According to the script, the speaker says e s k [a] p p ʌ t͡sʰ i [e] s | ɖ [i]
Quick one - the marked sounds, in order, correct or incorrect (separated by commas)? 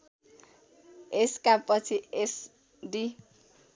correct, correct, correct